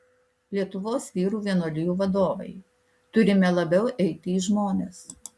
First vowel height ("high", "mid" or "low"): high